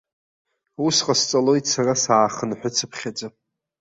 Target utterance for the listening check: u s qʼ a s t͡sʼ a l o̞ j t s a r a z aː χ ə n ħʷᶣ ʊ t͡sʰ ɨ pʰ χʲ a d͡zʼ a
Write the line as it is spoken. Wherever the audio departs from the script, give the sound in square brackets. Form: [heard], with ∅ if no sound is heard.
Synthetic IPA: u s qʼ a s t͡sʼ a l o̞ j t s a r a [s] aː χ ə n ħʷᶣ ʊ t͡sʰ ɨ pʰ χʲ a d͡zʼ a